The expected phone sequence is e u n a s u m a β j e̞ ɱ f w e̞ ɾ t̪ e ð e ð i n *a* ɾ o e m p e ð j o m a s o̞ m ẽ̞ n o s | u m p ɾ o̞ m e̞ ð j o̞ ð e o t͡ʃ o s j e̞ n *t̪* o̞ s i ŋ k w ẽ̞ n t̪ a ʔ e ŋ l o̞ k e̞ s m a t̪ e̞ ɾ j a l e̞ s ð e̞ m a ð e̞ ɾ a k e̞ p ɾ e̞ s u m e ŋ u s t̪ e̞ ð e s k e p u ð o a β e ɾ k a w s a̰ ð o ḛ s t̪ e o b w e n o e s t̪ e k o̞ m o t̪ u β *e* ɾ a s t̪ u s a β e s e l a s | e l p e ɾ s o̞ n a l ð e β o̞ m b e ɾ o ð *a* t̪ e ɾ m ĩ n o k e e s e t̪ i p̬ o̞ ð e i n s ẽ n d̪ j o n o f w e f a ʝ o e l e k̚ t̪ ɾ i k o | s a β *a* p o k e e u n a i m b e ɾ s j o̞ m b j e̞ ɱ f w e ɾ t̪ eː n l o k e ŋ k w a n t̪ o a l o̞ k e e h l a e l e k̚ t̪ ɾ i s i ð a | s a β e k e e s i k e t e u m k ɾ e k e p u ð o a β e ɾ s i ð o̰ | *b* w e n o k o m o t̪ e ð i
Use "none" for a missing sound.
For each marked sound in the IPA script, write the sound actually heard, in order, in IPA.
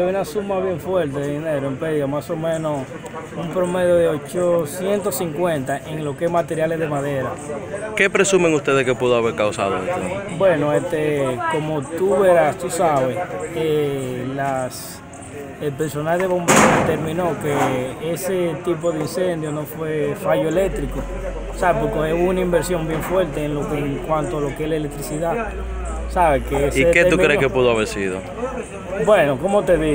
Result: e, t̪, e, e, e, b

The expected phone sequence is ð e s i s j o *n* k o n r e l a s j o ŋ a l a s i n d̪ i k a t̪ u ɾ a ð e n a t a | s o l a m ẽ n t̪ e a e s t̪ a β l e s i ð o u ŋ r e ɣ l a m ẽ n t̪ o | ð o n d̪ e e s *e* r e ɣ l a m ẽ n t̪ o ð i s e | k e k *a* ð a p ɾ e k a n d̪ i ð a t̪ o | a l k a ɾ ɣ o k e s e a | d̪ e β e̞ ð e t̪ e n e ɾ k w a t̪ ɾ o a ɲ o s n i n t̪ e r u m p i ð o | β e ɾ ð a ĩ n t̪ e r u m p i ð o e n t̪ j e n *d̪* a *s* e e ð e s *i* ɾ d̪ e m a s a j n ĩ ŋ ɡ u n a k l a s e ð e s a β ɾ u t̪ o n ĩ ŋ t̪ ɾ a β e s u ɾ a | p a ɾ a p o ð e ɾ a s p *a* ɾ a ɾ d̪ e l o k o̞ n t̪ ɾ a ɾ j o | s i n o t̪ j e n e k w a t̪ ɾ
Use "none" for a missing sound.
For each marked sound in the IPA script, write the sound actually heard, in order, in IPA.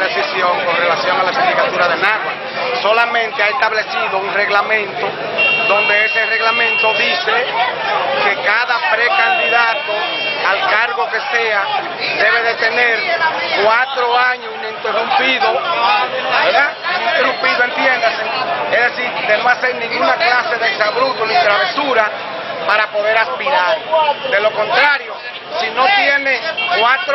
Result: ŋ, e, a, d̪, s, i, i

